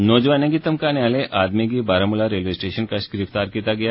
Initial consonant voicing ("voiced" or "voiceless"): voiced